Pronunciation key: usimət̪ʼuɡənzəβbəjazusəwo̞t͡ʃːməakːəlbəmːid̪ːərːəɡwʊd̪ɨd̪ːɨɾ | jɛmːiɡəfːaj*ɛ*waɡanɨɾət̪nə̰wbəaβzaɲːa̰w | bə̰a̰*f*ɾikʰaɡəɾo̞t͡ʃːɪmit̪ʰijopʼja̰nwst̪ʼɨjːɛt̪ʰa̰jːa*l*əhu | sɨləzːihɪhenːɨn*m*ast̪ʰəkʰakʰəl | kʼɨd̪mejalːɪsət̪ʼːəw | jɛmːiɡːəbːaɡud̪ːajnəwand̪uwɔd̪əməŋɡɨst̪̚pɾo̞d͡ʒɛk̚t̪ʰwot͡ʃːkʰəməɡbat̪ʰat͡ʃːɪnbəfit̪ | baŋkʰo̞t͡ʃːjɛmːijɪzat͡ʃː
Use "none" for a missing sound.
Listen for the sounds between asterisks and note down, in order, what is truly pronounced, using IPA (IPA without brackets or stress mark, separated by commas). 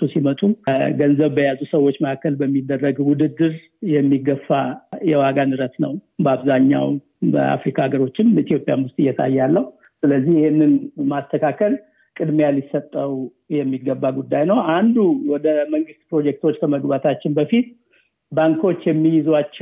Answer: ɛ, f, lː, m